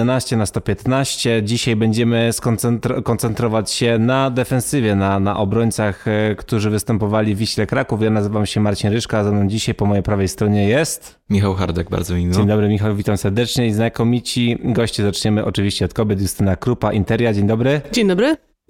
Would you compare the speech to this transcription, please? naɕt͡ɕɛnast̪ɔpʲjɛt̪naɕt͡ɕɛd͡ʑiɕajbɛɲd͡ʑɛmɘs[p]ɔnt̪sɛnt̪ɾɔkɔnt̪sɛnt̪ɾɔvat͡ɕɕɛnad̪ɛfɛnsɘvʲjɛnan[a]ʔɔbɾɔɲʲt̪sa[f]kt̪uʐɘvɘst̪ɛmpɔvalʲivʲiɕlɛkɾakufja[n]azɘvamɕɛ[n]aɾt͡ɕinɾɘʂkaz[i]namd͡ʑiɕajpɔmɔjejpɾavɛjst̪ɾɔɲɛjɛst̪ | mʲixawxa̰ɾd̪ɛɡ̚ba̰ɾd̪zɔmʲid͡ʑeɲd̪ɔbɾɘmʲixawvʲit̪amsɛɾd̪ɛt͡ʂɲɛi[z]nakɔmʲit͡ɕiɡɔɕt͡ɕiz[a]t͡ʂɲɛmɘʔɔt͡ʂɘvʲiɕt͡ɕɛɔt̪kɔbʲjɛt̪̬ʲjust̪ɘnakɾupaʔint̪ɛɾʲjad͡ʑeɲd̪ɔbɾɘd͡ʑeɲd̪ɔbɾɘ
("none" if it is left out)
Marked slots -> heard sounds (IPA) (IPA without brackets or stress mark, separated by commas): k, a, x, n, m, a, z, a